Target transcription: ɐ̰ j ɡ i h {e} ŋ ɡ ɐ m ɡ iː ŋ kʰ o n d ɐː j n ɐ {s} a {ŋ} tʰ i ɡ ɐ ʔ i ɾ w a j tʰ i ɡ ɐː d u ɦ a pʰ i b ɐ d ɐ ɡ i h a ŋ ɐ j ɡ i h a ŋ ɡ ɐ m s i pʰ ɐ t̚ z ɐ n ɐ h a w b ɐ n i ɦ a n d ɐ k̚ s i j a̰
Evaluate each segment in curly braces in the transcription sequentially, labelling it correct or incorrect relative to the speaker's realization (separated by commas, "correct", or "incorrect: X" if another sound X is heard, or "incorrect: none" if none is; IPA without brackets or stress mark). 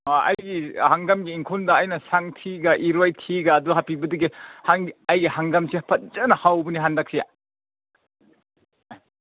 incorrect: a, correct, correct